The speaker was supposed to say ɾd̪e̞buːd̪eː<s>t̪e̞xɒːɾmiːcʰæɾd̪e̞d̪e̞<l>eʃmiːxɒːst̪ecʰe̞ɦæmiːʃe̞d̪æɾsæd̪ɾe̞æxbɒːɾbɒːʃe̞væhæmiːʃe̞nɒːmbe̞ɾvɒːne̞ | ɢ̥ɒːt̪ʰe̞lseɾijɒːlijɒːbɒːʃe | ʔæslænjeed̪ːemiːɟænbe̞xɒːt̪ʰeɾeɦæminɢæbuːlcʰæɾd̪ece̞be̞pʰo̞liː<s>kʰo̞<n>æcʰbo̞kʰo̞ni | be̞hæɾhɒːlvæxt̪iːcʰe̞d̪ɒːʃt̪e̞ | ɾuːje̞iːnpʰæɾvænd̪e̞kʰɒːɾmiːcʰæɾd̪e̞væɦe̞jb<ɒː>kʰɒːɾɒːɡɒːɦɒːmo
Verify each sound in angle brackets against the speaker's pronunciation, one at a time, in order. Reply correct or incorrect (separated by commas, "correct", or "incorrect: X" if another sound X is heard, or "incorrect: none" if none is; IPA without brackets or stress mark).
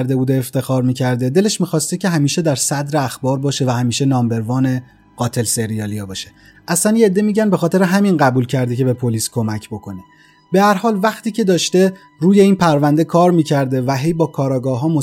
incorrect: f, correct, correct, incorrect: m, correct